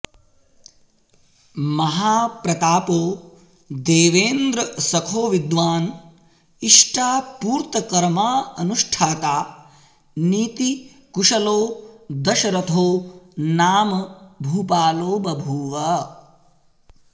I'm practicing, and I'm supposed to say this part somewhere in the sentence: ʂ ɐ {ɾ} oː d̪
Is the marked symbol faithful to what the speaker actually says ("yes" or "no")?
no